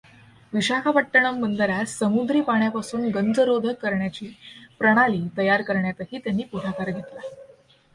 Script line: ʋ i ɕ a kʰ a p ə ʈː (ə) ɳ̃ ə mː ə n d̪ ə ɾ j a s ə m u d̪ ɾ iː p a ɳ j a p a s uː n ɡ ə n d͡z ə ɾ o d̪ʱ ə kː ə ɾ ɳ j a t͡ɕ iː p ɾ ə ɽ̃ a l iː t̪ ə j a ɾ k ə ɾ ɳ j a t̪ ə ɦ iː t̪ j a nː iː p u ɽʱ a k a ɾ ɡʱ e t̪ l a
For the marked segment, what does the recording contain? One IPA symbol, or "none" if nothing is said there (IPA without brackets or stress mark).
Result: ə